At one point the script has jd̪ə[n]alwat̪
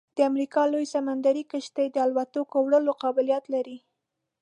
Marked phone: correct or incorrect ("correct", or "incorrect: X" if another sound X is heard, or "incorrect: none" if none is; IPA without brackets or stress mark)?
incorrect: none